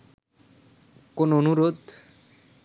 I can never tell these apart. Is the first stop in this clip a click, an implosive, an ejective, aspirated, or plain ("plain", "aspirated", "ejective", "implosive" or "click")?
plain